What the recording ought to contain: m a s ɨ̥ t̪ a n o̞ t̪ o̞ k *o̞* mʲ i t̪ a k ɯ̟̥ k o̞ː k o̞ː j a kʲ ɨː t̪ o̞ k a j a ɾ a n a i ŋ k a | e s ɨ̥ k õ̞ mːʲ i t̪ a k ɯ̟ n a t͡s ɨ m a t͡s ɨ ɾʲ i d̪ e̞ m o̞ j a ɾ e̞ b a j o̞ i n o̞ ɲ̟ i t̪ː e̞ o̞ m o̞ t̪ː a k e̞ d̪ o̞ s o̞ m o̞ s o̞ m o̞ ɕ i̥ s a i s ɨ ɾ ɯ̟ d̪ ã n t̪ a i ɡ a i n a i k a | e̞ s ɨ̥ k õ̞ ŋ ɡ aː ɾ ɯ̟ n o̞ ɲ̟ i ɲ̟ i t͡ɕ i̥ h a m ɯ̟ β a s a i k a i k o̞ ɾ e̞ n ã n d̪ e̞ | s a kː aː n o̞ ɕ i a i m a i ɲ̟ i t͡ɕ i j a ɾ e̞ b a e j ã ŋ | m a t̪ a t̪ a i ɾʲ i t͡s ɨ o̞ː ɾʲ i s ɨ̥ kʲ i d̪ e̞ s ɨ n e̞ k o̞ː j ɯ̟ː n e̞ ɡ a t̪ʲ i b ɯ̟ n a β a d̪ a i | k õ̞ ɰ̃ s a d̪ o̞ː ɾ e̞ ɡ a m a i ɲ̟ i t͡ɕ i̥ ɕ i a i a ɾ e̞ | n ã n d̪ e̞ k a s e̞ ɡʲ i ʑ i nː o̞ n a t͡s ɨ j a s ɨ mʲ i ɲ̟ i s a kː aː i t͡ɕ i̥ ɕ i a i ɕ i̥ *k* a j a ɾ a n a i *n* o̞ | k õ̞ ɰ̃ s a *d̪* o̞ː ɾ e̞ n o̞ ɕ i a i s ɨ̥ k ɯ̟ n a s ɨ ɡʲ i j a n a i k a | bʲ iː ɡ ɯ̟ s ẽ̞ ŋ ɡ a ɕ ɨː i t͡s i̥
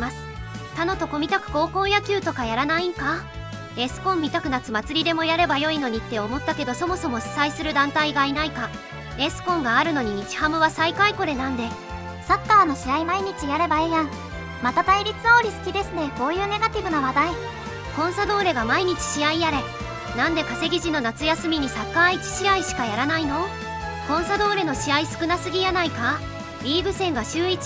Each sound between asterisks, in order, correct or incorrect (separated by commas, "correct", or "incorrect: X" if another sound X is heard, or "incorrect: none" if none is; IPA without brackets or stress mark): correct, correct, correct, correct